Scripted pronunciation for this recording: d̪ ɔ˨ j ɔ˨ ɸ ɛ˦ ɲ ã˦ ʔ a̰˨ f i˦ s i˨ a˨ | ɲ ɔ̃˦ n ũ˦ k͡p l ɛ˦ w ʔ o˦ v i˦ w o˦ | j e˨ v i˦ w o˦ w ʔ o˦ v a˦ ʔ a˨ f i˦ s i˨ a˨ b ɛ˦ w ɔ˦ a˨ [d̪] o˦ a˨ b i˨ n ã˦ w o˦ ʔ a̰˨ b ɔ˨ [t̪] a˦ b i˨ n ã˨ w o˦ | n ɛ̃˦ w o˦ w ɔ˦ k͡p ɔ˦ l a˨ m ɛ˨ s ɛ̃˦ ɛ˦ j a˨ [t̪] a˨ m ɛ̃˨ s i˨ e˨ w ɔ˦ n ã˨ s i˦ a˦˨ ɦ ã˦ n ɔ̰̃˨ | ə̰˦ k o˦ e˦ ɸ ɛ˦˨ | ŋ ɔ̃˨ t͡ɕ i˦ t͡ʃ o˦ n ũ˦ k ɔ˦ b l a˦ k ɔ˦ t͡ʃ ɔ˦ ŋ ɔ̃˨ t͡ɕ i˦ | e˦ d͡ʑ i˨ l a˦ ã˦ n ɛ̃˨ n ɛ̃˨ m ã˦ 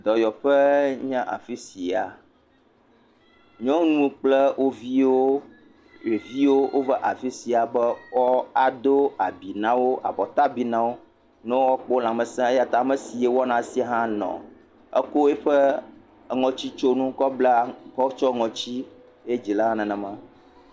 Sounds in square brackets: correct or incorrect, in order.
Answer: correct, correct, correct

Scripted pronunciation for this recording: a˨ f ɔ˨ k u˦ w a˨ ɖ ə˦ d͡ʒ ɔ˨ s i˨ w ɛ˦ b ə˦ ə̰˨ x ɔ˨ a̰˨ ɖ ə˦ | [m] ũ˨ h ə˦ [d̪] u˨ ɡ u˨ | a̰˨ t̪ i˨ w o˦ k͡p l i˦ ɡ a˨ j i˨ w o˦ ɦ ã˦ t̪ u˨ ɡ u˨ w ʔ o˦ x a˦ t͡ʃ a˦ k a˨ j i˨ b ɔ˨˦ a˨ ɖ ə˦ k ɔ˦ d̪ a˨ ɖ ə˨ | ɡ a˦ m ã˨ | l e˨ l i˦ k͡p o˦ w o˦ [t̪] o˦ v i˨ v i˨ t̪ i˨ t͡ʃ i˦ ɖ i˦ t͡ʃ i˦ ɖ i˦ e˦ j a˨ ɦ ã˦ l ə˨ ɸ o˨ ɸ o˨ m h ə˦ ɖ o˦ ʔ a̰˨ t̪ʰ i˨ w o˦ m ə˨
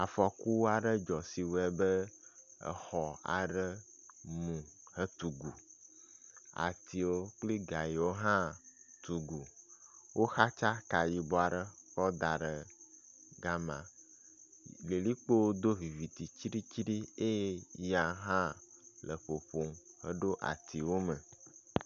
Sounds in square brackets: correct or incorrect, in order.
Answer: correct, incorrect: t̪, incorrect: d̪

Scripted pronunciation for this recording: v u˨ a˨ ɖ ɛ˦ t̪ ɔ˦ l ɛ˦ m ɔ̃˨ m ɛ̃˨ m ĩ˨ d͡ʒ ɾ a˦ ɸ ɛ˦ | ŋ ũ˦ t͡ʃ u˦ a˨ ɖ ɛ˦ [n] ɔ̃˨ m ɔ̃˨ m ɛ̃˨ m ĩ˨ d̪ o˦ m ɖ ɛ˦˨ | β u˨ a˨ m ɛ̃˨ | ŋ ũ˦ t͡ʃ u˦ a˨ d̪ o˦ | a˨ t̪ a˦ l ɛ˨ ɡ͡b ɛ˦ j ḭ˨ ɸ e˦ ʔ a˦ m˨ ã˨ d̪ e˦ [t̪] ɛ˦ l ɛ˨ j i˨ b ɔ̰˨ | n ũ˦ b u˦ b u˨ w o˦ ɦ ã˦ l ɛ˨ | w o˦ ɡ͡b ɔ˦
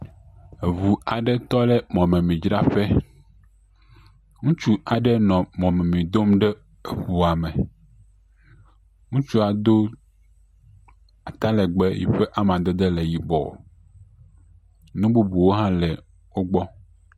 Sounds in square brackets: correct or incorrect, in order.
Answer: correct, incorrect: d̪

